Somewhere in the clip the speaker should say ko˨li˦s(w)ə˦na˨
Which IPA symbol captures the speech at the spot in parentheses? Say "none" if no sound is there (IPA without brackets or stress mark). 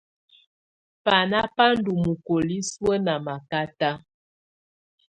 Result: w